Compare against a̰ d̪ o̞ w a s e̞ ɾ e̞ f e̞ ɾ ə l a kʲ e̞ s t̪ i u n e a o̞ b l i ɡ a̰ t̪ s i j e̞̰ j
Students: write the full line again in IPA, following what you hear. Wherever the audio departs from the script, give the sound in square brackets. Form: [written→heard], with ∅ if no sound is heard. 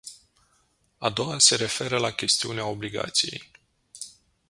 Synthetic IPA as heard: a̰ d̪ o̞ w a s e̞ ɾ e̞ f e̞ ɾ ə l a kʲ e̞ s t̪ i u n e a o̞ b l i ɡ a̰ t̪ s i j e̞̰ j